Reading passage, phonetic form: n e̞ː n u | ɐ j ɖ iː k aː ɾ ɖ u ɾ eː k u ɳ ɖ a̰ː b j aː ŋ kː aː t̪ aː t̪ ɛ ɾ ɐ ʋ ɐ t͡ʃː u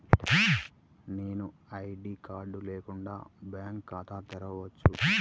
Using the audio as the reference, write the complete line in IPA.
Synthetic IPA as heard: n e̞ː n u | ɐ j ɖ iː k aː ɾ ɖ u l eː k u ɳ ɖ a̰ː b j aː ŋ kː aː t̪ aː t̪ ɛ ɾ ɐ ʋ ɐ t͡ʃː u